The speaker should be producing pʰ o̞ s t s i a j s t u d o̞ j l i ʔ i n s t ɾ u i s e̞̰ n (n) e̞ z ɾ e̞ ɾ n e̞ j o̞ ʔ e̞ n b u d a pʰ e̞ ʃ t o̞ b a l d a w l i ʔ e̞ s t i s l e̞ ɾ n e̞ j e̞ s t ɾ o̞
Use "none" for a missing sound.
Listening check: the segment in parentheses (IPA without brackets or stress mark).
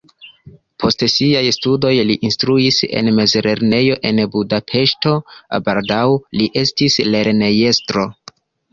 m